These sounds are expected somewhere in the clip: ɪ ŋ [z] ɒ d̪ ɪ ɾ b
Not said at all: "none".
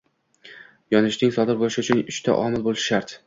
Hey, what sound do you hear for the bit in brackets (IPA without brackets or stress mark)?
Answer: s